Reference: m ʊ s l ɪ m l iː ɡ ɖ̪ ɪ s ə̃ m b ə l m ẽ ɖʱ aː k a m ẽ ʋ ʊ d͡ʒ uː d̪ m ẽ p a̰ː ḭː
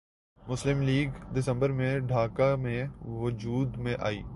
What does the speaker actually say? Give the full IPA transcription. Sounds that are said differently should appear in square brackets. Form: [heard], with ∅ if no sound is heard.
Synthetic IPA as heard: m ʊ s l ɪ m l iː ɡ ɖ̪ ɪ s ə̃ m b ə [ɾ] m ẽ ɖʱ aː k a m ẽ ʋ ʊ d͡ʒ uː d̪ m ẽ [ʔ] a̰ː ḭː